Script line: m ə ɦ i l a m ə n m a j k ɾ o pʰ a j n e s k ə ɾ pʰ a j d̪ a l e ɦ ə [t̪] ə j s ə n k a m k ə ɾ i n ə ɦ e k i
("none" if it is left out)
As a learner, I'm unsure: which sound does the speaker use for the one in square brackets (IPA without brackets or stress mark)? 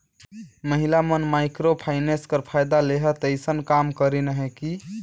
t̪